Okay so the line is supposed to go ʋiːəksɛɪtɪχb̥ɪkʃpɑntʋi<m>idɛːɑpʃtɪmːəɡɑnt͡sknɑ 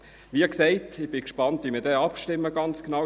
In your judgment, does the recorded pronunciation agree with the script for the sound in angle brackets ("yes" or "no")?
yes